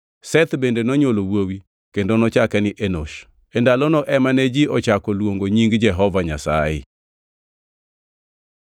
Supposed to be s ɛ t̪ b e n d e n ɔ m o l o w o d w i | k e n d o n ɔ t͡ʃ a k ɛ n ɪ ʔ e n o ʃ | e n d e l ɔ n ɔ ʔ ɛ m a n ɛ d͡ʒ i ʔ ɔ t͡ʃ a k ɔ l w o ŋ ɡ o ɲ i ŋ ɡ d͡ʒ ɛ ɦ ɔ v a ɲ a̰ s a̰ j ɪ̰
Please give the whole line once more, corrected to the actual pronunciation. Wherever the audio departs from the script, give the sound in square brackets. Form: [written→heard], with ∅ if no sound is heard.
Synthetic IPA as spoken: s ɛ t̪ b e n d e n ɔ [m→ɲ] o l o w o [d→∅] w i | k e n d o n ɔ t͡ʃ a k ɛ n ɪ ʔ e n o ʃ | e n d [e→a] l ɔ n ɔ ʔ ɛ m a n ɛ d͡ʒ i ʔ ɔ t͡ʃ a k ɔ l w o ŋ ɡ o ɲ i ŋ ɡ d͡ʒ ɛ ɦ ɔ v a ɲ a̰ s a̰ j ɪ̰